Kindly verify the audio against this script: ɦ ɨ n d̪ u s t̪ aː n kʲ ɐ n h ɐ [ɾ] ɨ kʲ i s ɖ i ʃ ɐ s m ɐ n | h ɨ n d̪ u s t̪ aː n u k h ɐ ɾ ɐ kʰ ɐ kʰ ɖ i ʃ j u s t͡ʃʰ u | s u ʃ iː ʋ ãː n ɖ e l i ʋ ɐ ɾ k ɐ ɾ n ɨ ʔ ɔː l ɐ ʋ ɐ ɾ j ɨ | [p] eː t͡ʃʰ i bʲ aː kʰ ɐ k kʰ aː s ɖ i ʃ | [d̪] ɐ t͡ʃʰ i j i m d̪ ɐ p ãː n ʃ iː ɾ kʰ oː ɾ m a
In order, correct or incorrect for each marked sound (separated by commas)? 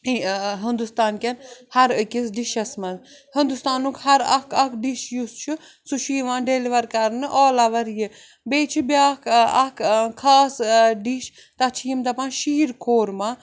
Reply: correct, incorrect, incorrect